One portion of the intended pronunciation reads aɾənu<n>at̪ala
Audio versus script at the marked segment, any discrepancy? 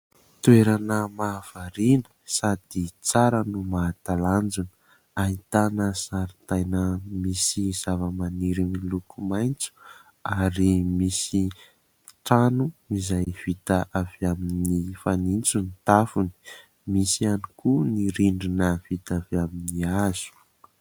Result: yes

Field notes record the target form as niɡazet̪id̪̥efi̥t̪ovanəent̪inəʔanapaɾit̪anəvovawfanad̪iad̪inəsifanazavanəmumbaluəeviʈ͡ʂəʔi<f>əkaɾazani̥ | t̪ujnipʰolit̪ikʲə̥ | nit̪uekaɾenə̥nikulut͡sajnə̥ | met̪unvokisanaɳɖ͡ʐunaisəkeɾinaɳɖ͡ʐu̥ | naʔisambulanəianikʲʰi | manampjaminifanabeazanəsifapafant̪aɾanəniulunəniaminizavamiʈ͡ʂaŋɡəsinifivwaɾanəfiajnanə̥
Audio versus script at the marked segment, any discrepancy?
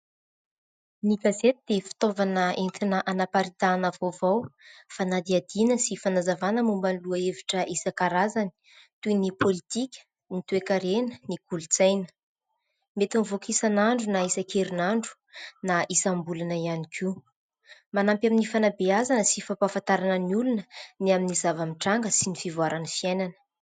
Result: yes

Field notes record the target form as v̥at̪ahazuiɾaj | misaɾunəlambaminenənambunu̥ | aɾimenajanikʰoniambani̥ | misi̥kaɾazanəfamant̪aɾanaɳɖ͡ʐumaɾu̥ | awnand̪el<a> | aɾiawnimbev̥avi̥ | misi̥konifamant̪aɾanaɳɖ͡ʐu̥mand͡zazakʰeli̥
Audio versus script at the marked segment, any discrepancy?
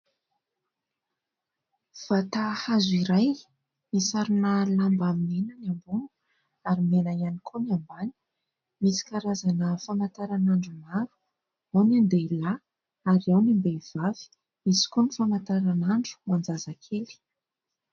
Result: no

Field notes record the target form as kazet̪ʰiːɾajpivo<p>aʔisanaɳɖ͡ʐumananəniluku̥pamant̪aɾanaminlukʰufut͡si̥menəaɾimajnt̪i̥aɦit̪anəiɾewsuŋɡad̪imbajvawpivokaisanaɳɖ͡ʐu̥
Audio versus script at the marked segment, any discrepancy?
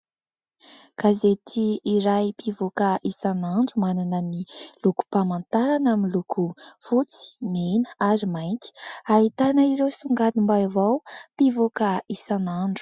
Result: yes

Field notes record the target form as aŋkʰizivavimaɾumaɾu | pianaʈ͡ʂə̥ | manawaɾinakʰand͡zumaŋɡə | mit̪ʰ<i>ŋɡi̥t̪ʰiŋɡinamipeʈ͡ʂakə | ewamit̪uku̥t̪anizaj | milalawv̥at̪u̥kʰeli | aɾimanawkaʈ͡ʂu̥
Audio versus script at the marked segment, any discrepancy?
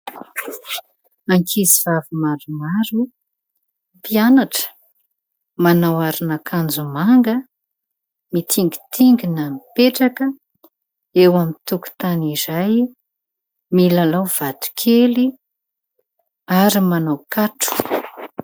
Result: no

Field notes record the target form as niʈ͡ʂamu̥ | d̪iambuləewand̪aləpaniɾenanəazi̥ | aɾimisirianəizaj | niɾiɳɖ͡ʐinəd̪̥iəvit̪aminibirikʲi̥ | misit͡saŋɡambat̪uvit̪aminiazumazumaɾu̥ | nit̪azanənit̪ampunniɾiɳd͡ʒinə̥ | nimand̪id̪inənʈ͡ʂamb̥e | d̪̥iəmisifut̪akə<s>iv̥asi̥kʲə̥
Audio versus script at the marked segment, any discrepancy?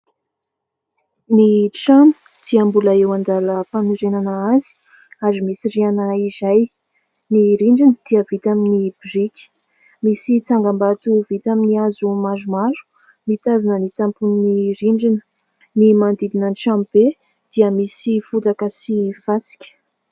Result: no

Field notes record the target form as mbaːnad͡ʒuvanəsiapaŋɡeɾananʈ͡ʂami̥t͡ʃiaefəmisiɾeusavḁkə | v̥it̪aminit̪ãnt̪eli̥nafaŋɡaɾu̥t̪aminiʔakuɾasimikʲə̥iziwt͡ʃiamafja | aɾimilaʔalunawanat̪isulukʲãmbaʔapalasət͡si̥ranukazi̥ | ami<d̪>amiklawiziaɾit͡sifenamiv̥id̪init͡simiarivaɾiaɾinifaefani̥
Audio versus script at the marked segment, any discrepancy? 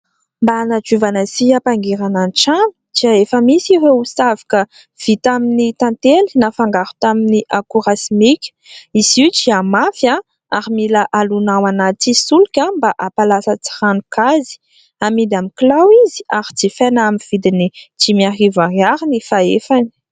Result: no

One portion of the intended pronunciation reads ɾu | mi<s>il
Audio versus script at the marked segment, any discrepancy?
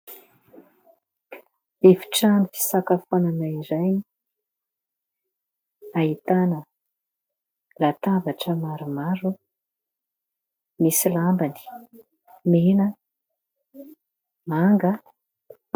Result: no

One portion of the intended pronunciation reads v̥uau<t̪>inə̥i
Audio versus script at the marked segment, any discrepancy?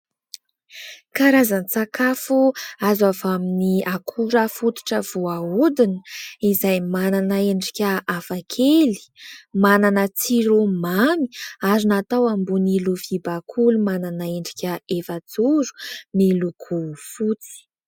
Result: yes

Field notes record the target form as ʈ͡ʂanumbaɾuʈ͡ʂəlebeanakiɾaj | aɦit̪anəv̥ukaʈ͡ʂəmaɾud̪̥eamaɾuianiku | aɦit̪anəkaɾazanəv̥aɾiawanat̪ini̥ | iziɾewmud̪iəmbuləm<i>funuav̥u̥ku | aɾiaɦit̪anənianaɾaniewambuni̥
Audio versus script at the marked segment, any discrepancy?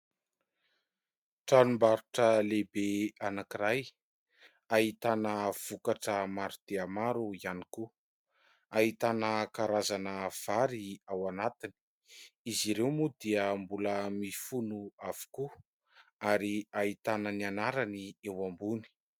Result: no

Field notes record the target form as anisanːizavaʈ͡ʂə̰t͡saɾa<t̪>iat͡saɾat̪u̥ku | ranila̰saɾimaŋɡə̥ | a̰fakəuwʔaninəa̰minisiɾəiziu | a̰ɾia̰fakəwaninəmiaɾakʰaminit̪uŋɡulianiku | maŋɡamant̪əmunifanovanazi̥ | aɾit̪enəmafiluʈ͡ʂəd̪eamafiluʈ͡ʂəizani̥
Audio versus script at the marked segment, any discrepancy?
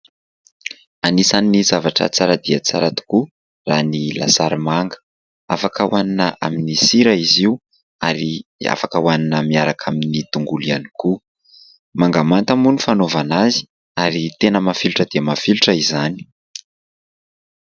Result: yes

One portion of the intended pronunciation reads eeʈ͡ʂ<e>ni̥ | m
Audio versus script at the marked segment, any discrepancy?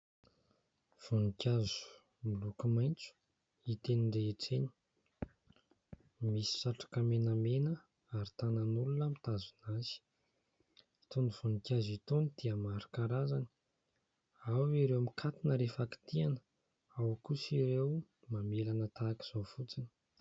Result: no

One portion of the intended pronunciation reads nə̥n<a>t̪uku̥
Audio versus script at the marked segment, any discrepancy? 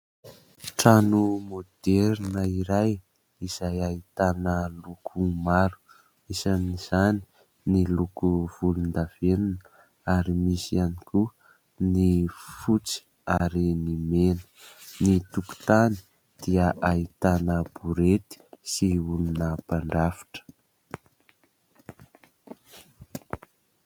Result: yes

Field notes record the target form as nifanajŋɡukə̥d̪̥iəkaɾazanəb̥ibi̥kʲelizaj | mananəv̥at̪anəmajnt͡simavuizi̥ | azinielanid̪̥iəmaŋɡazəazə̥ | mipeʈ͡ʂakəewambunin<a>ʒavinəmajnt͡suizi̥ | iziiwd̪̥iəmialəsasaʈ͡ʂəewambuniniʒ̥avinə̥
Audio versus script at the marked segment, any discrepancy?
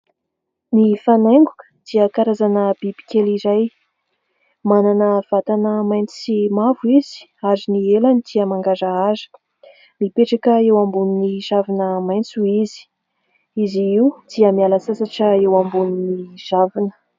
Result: yes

